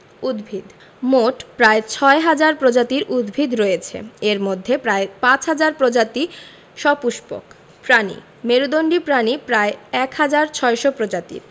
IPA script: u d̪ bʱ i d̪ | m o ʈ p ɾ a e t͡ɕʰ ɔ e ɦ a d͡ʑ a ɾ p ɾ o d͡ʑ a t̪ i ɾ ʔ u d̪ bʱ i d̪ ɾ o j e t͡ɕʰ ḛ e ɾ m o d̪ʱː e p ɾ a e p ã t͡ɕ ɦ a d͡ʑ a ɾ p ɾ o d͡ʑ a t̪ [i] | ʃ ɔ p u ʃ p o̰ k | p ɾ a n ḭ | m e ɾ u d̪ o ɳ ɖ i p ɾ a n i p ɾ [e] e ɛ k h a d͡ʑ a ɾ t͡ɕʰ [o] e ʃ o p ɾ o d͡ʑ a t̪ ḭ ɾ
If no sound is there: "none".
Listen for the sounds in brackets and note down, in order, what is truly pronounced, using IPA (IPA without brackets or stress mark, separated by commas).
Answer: i, a, ɔ